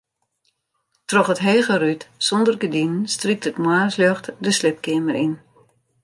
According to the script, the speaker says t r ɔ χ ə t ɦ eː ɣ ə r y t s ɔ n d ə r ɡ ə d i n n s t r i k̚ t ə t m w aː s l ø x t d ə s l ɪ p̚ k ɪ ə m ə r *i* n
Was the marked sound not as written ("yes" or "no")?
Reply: no